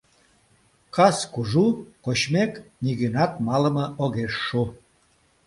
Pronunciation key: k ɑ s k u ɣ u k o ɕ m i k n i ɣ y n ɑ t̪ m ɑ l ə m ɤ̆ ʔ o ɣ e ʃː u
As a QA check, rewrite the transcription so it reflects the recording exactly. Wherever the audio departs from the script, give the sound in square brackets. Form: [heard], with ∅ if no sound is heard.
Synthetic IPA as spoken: k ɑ s k u [ʒ] u k o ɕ m [e] k n i ɣ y n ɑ t̪ m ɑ l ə m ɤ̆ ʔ o ɣ e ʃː u

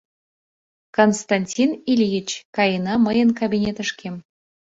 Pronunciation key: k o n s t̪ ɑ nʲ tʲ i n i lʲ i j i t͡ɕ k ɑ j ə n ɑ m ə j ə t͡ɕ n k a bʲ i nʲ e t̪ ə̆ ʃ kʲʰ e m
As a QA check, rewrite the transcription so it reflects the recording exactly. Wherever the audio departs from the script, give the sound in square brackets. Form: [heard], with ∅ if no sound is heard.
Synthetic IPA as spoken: k o n s t̪ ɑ nʲ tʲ i n i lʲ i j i t͡ɕ k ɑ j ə n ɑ m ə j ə [∅] n k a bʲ i nʲ e t̪ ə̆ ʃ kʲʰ e m

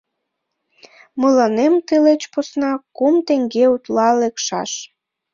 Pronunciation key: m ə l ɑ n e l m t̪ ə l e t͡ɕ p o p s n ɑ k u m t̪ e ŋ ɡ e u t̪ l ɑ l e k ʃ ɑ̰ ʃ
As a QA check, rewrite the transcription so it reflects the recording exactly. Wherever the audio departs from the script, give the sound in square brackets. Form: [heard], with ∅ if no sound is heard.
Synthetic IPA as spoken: m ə l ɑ n e [∅] m t̪ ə l e t͡ɕ p o [∅] s n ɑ k u m t̪ e ŋ ɡ e u t̪ l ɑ l e k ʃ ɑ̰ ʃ

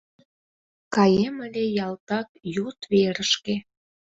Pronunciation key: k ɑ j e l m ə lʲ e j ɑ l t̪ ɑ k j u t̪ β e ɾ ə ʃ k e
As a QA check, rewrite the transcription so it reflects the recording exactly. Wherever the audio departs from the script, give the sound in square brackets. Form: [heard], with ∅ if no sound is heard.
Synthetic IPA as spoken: k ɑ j e [∅] m ə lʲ e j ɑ l t̪ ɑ k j u t̪ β e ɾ ə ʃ k e

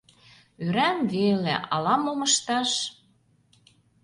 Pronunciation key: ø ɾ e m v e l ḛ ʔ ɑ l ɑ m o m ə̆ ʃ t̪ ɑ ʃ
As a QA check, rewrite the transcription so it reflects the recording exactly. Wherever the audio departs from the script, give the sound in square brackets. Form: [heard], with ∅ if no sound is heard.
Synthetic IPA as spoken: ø ɾ [æ] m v e l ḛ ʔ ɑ l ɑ m o m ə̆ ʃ t̪ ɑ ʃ

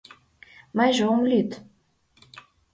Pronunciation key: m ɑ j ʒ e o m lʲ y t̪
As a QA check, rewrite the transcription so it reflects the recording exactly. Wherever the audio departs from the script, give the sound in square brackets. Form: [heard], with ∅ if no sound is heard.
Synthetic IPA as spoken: m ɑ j ʒ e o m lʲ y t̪

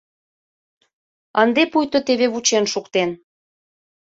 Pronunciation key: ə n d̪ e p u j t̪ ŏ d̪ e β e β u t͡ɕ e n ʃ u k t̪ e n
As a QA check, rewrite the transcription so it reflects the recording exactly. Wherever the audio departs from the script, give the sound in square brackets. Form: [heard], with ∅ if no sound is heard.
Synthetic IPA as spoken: ə n d̪ e p u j t̪ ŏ [t̪] e β e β u t͡ɕ e n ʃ u k t̪ e n

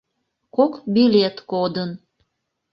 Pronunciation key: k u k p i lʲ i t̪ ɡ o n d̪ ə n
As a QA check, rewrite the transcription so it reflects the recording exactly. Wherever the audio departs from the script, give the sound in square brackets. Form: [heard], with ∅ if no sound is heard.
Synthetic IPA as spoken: k [o] k [b] i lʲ [e] t̪ [k] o [∅] d̪ ə n

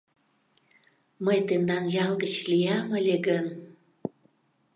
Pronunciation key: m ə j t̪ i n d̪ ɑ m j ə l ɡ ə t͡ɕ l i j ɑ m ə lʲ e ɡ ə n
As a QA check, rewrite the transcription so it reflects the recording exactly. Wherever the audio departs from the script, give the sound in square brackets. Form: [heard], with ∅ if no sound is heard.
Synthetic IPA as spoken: m ə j t̪ [e] n d̪ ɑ [n] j [ɑ] l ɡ ə t͡ɕ l i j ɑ m ə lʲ e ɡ ə n

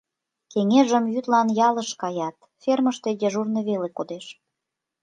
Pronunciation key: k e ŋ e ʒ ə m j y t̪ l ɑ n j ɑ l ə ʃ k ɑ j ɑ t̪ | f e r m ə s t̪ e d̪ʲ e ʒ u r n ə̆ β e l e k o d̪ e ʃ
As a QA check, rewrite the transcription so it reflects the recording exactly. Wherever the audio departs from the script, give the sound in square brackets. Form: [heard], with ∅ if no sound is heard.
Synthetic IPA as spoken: k e ŋ e ʒ ə m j y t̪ l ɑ n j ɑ l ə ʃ k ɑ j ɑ t̪ | f e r m ə [ʃ] t̪ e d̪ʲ e ʒ u r n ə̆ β e l e k o d̪ e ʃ

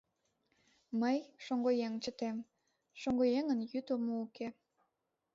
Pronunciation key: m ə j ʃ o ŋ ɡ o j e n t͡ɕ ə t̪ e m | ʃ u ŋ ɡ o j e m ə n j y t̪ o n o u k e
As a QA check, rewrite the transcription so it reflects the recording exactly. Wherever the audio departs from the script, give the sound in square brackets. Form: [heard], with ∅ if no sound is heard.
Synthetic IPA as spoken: m ə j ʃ o ŋ ɡ o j e [ŋ] t͡ɕ ə t̪ e m | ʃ [o] ŋ ɡ o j e [ŋ] ə n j y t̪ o [m] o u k e

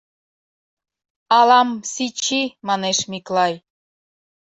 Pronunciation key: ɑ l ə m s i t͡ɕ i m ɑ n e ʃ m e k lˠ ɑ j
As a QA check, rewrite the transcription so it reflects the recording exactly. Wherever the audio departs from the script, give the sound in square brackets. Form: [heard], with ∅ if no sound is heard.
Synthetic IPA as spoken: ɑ l [ɑ] m s i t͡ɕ i m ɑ n e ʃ m [i] k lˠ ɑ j

